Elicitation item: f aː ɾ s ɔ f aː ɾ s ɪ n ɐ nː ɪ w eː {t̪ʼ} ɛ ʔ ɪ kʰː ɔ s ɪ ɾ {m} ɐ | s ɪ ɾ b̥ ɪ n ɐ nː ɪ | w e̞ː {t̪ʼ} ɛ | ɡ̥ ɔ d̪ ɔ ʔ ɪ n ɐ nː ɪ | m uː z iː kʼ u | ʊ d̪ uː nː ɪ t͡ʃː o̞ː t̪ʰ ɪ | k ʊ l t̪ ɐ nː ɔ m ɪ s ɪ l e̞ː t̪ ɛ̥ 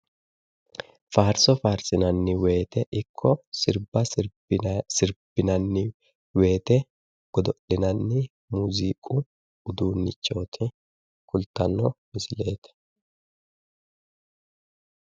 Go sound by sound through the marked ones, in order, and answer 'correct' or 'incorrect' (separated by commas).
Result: incorrect, incorrect, incorrect